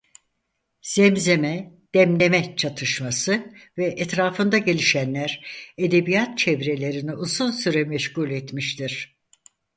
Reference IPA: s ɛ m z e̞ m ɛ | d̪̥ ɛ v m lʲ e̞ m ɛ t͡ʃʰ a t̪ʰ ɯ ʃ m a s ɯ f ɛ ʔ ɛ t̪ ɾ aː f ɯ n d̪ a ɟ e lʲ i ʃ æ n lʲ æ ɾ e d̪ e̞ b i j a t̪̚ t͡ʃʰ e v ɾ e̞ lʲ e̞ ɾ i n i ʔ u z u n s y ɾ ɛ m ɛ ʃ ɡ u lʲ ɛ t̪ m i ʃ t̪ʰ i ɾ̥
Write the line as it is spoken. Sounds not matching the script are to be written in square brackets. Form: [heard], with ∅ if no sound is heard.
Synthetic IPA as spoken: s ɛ m z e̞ m ɛ | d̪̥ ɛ [∅] m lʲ e̞ m ɛ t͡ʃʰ a t̪ʰ ɯ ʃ m a s ɯ [v] ɛ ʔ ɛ t̪ ɾ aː f ɯ n d̪ a ɟ e lʲ i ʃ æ n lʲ æ ɾ e d̪ e̞ b i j a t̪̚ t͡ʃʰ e v ɾ e̞ lʲ e̞ ɾ i n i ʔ u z u n s y ɾ ɛ m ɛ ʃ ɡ u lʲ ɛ t̪ m i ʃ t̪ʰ i ɾ̥